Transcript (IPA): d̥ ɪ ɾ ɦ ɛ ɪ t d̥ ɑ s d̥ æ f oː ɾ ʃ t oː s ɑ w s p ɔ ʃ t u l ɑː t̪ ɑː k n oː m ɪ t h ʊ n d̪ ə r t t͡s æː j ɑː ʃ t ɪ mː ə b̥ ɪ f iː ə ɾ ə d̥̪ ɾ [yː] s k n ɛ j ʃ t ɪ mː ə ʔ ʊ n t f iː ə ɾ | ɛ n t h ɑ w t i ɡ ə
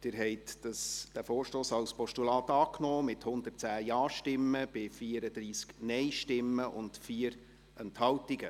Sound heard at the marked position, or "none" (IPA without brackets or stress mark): iː